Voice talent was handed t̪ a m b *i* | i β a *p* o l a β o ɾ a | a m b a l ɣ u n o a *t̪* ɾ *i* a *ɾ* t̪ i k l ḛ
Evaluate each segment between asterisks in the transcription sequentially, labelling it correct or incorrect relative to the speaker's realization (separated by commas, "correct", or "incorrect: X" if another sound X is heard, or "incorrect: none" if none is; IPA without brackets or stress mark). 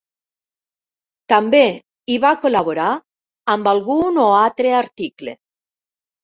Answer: incorrect: e, incorrect: k, correct, incorrect: e, correct